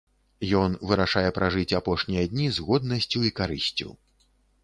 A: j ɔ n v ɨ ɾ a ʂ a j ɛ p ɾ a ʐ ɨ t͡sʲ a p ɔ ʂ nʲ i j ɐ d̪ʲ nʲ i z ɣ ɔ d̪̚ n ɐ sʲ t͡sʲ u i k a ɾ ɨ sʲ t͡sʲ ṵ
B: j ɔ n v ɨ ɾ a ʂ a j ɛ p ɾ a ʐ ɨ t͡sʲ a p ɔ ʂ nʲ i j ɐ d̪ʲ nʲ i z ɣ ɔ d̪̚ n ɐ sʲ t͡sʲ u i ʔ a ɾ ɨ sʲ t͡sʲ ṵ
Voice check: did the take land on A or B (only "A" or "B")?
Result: A